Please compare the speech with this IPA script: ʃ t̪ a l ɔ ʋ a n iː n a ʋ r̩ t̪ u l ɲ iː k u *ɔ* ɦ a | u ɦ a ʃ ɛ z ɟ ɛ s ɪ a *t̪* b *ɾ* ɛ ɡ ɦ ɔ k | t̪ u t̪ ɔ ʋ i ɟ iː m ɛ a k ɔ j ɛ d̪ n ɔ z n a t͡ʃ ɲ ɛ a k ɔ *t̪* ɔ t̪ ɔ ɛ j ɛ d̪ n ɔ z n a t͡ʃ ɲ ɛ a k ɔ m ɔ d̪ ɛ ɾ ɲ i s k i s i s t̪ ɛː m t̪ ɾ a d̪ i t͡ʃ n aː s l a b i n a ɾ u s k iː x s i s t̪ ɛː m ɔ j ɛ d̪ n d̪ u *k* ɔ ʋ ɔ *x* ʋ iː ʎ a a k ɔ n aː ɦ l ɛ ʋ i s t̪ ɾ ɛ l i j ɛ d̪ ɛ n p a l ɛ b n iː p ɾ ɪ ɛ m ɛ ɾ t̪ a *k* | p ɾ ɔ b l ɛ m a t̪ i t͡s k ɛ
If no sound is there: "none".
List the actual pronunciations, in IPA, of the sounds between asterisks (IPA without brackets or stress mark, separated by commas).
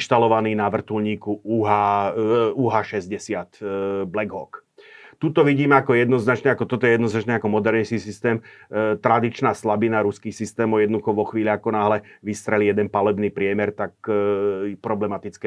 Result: u, t̪, l, t̪, x, x, k